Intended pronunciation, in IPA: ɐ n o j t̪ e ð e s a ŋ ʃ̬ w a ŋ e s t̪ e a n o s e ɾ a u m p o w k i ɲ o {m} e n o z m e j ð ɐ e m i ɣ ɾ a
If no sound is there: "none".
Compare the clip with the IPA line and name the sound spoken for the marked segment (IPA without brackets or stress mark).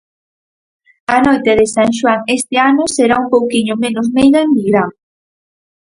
m